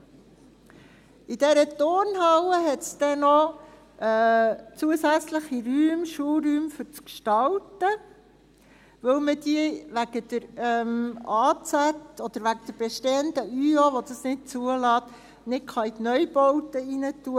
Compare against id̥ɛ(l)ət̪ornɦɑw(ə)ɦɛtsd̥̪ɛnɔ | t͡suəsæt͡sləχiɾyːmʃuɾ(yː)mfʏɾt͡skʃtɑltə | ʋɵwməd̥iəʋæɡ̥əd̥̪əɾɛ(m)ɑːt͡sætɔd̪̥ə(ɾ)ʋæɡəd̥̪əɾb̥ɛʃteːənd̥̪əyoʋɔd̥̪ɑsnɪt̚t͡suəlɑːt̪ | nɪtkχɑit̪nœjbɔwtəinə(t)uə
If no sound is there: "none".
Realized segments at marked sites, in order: ɾ, ə, yː, m, ɾ, t

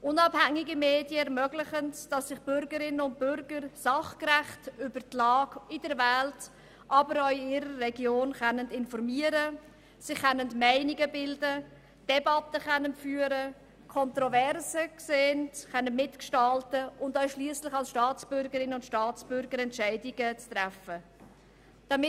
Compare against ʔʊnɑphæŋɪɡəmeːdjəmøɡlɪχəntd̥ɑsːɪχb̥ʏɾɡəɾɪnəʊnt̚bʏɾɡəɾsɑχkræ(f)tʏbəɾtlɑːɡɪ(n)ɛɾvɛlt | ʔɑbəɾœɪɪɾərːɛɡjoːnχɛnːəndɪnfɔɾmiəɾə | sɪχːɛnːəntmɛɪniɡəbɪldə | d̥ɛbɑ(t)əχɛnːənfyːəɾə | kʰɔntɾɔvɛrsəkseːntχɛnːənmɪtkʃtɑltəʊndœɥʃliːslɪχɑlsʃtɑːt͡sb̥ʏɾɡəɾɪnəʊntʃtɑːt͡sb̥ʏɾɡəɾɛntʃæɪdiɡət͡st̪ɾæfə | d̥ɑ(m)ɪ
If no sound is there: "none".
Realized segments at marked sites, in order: χ, d, t, m

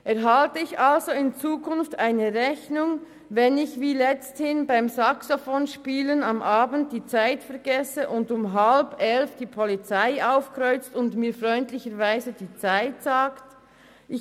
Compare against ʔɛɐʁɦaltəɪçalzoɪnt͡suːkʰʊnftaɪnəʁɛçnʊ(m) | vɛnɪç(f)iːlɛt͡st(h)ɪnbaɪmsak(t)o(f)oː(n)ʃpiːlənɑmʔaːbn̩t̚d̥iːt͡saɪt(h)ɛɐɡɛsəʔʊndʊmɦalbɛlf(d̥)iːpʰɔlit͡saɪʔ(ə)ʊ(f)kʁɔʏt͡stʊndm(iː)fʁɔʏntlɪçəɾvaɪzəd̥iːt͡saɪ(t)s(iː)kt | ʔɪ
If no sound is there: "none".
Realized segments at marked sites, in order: ŋ, v, h, s, f, n, f, d̥, a, f, iː, t, aː

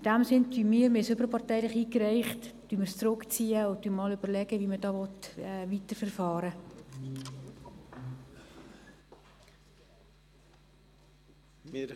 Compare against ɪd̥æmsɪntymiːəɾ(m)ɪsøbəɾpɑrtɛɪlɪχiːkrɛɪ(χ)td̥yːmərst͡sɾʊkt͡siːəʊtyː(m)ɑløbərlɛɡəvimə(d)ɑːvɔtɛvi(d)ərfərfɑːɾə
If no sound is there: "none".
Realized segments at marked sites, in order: m, χ, m, d, t

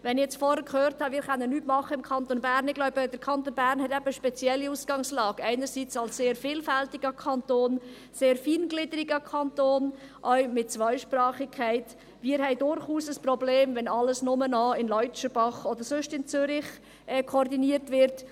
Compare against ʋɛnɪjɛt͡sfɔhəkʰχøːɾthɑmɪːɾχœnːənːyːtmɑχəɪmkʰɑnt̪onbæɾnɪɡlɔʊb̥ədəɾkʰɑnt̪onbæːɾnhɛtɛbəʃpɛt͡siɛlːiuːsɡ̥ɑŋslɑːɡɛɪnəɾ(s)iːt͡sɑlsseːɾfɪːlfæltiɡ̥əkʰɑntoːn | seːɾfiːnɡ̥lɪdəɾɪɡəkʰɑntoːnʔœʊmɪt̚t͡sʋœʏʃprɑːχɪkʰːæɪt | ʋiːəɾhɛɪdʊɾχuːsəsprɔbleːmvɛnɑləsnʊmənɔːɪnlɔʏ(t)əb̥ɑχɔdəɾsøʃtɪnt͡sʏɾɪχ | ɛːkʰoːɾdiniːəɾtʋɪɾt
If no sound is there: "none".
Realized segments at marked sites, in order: s, t͡ʃ

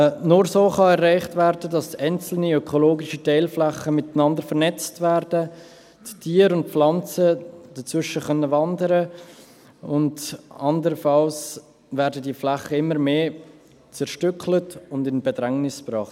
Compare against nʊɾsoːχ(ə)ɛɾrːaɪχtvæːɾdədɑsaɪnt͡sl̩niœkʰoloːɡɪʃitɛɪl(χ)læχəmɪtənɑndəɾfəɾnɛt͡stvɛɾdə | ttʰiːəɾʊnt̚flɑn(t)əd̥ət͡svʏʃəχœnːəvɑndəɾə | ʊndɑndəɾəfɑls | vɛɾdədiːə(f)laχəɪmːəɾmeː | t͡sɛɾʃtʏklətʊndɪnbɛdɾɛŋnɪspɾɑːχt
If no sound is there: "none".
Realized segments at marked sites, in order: ɑ, f, t͡s, f

